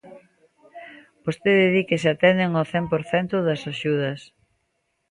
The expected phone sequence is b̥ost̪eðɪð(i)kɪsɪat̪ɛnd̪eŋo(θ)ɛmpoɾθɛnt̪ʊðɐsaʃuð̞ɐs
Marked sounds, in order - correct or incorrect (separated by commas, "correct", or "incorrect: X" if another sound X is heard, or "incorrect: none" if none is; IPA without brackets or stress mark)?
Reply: correct, correct